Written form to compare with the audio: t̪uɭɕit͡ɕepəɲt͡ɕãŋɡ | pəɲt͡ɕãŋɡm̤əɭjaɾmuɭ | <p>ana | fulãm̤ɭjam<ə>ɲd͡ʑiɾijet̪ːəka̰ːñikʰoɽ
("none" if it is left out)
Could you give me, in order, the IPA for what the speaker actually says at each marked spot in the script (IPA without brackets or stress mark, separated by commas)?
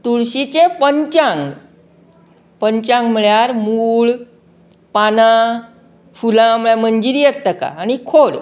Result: p, ə